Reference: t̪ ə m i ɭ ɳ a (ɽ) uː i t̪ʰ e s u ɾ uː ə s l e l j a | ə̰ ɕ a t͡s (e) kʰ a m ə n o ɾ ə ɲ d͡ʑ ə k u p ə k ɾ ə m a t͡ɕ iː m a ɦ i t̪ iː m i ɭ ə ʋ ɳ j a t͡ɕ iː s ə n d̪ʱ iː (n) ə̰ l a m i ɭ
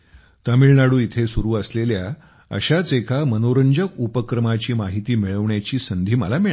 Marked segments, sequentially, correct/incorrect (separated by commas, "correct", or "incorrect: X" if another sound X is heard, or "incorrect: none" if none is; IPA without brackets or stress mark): correct, correct, incorrect: m